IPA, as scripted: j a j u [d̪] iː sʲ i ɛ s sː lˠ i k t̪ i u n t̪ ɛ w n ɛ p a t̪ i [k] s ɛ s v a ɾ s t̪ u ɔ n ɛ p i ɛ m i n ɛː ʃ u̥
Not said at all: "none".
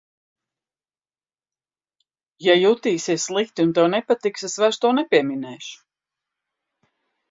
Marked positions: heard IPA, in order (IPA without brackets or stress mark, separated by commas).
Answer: t̪, k